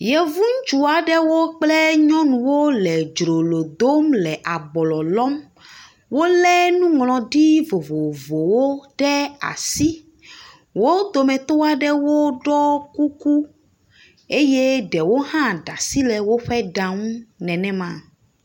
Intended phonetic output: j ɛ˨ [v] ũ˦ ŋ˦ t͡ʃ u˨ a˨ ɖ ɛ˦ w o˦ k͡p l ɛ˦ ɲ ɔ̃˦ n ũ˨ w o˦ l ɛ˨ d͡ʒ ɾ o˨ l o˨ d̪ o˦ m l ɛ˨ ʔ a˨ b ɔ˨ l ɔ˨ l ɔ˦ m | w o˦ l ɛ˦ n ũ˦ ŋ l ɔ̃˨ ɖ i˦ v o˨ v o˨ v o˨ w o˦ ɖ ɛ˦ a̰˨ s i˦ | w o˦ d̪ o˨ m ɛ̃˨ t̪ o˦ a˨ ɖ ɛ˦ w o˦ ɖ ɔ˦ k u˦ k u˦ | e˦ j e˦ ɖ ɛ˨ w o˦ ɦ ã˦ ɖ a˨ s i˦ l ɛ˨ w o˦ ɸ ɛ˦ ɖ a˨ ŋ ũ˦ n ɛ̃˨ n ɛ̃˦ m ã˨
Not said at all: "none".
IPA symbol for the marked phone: v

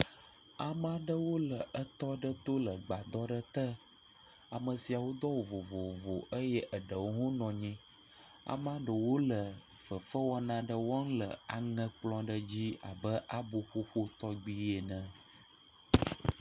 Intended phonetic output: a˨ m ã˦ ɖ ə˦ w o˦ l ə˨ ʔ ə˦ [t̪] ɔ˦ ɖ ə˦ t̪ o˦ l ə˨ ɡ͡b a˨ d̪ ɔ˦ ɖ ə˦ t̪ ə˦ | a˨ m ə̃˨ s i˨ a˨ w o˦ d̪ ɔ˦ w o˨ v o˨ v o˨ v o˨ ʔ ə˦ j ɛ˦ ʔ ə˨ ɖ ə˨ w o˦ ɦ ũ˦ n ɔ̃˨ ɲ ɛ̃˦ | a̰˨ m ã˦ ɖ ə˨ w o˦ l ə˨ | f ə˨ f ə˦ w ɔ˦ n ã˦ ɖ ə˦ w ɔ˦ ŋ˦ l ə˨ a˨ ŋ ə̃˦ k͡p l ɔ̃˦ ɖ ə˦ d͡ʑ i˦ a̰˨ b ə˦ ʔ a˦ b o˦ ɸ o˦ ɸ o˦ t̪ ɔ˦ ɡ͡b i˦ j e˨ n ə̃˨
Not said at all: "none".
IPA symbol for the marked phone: t̪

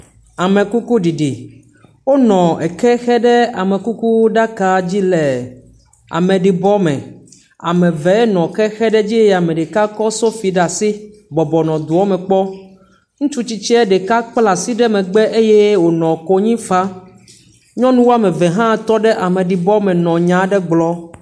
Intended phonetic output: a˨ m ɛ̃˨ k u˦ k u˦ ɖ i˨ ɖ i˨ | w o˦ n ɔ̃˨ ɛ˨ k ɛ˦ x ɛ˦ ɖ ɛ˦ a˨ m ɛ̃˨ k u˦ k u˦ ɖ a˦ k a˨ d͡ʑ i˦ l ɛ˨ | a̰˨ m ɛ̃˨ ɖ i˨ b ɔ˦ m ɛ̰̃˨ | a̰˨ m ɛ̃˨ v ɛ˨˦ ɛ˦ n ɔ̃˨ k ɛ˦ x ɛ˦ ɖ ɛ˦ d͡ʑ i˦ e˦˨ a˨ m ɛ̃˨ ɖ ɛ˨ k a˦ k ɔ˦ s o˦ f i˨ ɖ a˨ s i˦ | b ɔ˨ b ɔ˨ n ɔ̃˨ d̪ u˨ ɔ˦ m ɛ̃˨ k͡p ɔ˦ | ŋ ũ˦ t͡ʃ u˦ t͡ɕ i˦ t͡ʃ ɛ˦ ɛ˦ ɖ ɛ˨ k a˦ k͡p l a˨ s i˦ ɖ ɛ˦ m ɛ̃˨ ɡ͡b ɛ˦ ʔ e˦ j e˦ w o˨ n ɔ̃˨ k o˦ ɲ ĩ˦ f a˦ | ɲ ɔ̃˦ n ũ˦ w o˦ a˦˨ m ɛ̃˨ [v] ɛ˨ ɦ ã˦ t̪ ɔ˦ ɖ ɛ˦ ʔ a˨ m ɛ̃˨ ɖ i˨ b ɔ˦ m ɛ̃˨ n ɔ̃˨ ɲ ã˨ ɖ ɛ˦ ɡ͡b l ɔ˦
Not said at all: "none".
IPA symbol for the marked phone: v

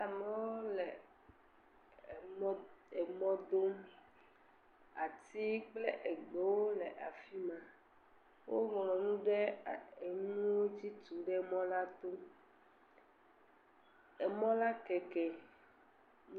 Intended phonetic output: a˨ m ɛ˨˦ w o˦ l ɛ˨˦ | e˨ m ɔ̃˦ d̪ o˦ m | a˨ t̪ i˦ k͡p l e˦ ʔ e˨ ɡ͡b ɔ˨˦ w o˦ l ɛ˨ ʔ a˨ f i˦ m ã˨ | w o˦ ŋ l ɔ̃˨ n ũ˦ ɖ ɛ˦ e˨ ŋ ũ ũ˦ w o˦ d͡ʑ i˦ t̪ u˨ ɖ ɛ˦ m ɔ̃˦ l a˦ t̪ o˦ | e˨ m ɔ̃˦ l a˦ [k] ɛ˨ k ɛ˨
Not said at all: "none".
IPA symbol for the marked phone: k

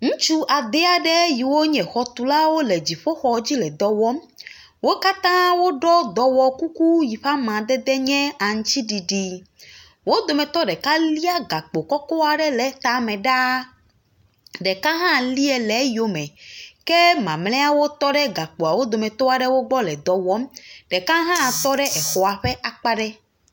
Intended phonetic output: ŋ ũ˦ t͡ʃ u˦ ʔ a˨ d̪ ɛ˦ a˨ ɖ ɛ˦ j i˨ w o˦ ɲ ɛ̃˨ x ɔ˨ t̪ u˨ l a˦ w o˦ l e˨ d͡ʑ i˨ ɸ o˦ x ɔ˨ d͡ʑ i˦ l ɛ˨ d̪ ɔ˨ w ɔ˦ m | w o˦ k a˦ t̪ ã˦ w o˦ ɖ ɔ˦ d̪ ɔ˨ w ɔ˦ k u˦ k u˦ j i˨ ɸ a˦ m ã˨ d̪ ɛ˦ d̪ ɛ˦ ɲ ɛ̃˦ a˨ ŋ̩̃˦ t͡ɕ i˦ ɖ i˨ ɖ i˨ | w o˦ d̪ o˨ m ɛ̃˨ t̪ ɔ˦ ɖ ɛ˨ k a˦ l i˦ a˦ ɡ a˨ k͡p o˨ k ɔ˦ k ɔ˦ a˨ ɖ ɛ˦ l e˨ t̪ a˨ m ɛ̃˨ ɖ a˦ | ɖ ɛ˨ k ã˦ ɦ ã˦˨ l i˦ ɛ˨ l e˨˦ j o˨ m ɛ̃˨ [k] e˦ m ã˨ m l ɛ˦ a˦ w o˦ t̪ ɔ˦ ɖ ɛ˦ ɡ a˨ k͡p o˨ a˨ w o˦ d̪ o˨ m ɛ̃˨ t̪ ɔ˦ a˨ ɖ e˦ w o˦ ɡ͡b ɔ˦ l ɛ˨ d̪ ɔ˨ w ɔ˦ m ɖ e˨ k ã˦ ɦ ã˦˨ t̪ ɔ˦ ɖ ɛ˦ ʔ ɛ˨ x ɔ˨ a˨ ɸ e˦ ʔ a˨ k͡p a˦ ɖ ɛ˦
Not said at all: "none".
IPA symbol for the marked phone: k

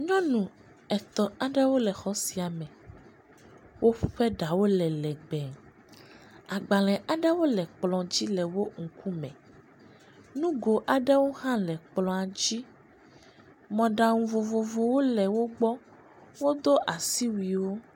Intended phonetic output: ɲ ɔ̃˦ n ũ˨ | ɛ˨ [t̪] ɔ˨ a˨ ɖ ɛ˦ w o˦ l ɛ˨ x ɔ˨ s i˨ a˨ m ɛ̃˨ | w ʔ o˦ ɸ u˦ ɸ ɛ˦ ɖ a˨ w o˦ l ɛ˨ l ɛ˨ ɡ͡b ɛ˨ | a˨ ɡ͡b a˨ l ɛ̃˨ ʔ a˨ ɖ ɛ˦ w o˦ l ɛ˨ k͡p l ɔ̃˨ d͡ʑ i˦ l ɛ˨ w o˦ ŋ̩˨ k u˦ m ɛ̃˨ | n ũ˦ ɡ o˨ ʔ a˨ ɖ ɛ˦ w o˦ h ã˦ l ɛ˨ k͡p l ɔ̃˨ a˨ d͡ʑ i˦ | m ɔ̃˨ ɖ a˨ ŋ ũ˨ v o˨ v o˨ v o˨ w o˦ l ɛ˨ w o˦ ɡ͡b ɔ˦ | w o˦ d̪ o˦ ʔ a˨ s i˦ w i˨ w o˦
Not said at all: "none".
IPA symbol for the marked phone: t̪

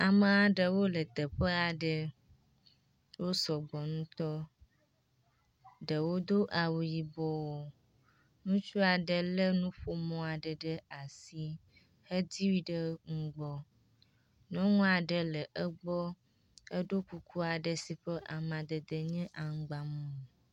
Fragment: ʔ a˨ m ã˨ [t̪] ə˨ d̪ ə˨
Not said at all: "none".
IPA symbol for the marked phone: d̪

